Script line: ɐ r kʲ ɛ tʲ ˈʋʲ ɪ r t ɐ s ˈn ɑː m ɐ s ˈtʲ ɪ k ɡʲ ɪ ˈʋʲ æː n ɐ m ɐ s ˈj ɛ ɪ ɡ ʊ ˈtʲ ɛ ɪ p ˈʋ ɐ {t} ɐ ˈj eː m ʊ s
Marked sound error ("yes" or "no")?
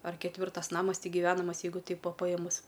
yes